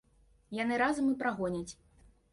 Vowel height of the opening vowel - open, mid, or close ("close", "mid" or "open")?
open